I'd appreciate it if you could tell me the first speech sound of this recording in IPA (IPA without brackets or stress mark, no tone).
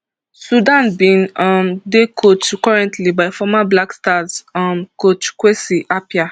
s